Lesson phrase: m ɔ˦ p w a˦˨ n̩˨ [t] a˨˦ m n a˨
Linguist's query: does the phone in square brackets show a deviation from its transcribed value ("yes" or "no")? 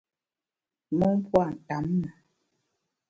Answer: no